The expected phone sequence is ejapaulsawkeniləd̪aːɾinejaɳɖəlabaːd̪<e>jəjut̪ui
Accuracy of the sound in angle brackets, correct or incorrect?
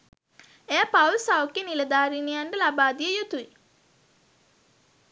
incorrect